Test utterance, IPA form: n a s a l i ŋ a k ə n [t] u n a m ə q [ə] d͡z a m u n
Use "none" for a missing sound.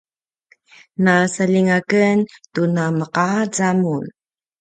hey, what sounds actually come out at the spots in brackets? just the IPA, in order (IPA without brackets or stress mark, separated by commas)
t, a